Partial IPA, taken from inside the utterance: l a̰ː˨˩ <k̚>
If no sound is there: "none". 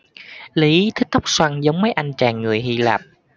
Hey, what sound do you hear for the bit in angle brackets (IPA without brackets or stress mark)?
p̚